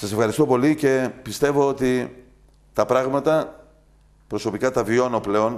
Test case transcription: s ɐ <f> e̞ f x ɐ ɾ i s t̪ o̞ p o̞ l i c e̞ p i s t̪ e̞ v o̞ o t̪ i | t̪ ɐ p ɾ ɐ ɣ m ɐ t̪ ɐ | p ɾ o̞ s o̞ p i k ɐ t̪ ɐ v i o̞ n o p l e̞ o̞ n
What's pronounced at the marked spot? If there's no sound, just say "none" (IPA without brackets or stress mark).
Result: s